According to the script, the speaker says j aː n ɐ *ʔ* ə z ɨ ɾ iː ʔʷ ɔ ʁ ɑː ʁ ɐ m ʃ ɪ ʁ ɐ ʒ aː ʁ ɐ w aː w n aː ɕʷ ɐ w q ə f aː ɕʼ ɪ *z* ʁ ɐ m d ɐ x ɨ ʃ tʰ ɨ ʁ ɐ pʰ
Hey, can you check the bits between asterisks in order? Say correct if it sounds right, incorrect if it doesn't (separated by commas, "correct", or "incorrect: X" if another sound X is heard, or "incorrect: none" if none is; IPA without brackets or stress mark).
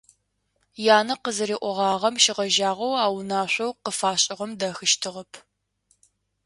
incorrect: q, incorrect: none